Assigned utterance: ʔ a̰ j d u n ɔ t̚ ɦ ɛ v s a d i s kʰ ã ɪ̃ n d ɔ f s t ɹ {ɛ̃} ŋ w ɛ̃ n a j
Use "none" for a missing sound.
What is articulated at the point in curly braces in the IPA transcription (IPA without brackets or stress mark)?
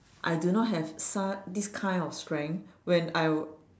ɛ̃